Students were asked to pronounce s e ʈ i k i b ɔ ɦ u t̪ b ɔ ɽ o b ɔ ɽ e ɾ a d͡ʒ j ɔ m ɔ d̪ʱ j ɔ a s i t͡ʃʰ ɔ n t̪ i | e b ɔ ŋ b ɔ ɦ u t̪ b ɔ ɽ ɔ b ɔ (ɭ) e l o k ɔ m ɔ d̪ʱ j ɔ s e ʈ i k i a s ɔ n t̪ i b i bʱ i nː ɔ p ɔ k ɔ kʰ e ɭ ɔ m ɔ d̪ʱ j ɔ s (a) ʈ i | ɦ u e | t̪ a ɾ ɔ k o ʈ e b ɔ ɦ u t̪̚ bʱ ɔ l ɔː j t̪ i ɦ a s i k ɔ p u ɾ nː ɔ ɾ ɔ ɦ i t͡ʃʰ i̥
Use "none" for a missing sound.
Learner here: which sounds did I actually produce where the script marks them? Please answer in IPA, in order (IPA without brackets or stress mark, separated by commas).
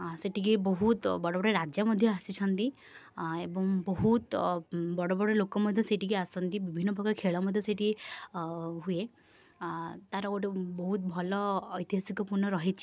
ɽ, e